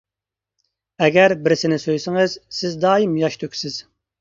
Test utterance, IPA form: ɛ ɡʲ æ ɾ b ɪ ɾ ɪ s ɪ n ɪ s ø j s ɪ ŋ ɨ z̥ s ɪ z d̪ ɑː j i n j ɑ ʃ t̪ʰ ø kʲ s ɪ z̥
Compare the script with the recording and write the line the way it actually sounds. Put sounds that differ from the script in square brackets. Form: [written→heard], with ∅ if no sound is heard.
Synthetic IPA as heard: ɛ ɡʲ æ ɾ b ɪ ɾ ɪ s ɪ n ɪ s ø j s ɪ ŋ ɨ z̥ s ɪ z d̪ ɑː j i [n→m] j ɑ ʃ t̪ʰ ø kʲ s ɪ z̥

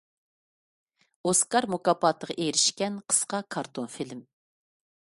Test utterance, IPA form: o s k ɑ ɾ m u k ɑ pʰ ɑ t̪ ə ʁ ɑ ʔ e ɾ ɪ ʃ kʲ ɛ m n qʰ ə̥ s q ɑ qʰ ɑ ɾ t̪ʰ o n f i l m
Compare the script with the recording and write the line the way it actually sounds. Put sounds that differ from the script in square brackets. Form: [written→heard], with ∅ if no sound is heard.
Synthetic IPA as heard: o s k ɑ ɾ m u k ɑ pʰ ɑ t̪ ə ʁ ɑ ʔ e ɾ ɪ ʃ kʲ ɛ [m→∅] n qʰ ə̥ s q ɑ [qʰ→kʰ] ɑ ɾ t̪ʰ o n f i l m

